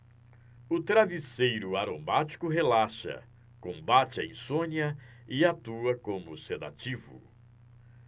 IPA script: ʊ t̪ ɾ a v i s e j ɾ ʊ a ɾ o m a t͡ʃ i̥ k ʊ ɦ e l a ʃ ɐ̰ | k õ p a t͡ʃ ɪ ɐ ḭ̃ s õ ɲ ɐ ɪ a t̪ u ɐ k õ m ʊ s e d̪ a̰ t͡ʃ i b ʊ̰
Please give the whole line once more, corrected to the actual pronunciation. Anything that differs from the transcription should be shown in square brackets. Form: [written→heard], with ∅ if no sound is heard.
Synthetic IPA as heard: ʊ t̪ ɾ a v i s e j ɾ ʊ a ɾ o m a t͡ʃ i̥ k ʊ ɦ e l a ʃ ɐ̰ | k õ [p→b] a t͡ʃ ɪ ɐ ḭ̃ s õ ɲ ɐ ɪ a t̪ u ɐ k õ m ʊ s e d̪ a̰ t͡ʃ i [b→v] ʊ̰